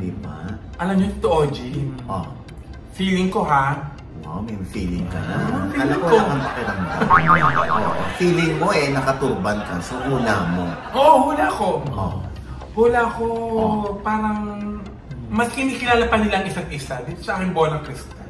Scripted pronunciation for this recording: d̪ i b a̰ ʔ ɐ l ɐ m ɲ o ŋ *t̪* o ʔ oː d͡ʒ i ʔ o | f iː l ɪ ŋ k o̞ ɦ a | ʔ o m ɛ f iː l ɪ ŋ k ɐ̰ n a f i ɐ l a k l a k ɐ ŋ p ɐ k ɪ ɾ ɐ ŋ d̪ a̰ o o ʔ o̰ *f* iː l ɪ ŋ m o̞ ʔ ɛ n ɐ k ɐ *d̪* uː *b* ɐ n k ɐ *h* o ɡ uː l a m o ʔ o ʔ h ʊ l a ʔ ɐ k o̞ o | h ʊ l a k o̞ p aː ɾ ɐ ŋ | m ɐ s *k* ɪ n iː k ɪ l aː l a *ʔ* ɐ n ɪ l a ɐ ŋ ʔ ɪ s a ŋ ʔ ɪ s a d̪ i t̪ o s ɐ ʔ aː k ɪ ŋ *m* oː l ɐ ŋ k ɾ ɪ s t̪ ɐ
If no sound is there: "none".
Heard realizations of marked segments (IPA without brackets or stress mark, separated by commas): t̪, f, t̪, b, s, k, p, b